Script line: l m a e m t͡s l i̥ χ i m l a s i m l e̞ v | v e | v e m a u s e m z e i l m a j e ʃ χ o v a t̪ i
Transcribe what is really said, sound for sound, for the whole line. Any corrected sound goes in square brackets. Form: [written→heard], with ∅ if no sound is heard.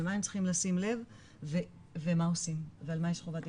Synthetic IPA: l m a e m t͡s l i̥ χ i m l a s i m l e̞ v | v e | v e m a [u→o] s [e→i] m [z→v] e [i→a] l m a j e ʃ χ o v a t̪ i

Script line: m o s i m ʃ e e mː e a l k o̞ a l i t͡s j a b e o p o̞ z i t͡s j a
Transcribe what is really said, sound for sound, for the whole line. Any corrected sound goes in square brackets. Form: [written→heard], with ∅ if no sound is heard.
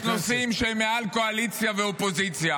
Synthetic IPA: [m→n] o s i m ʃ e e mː e a l k o̞ a l i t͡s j a [b→v] e o p o̞ z i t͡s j a

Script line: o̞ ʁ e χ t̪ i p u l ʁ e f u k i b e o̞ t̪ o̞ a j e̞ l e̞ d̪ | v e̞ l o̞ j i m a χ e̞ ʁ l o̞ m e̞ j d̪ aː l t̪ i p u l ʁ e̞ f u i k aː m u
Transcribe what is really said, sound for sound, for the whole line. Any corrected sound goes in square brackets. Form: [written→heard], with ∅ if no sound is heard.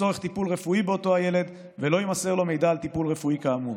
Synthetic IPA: o̞ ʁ e χ t̪ i p u l ʁ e f u [k→∅] i b e o̞ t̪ o̞ a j e̞ l e̞ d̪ | v e̞ l o̞ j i m a [χ→s] e̞ ʁ l o̞ m e̞ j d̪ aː l t̪ i p u l ʁ e̞ f u i k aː m u

